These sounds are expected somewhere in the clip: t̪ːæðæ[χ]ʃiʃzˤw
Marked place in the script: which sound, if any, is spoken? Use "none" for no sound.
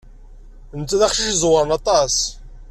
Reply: χ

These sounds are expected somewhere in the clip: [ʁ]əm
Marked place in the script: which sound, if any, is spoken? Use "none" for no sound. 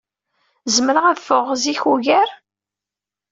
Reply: z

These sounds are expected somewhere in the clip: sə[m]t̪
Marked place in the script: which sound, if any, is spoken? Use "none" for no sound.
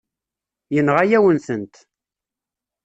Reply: n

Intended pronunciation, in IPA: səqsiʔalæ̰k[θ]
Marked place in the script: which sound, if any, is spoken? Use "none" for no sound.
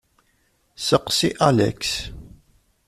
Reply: s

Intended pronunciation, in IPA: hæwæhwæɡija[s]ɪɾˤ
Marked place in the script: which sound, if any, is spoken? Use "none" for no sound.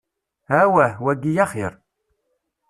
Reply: χ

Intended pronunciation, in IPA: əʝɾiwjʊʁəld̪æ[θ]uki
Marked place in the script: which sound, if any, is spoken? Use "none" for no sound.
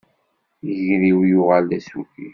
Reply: s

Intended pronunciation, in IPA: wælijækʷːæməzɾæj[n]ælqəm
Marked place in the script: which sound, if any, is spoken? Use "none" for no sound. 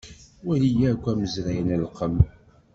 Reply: n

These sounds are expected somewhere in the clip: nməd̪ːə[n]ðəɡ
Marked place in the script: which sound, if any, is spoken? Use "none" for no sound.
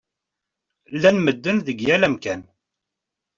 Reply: n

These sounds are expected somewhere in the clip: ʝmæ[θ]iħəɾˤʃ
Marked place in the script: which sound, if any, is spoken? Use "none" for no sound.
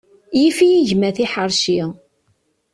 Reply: θ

